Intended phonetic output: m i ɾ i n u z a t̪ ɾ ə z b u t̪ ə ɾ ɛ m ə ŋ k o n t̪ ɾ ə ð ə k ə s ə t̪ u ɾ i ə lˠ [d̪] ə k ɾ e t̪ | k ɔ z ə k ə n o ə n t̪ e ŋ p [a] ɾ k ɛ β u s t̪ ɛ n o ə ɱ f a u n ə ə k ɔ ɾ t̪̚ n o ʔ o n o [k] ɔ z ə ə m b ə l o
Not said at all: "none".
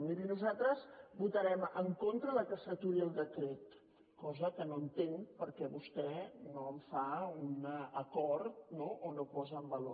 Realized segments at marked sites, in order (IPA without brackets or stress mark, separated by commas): d̪, ə, p